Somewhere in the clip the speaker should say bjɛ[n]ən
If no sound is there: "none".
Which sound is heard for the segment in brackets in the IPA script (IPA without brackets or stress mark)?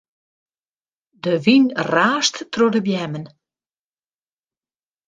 m